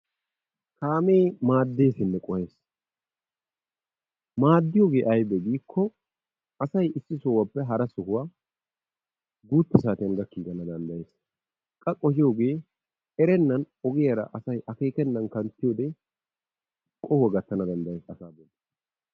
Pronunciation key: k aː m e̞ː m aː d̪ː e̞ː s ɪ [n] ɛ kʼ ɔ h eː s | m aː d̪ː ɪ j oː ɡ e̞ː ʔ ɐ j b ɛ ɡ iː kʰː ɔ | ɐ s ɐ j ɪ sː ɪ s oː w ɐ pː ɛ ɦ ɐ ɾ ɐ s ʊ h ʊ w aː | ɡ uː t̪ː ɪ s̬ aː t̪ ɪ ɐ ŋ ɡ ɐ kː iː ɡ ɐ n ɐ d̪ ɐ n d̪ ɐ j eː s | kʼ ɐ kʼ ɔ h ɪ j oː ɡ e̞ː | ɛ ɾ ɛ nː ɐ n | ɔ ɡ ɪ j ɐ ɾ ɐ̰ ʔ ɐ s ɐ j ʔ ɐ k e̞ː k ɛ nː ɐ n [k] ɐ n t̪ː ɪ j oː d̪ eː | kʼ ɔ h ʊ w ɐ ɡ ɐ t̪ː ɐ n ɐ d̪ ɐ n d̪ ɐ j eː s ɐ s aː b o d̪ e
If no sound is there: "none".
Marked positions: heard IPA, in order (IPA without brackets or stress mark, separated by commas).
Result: nː, k